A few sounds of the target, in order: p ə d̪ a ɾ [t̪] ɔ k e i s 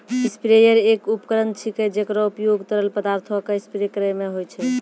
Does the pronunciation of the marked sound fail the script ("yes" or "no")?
yes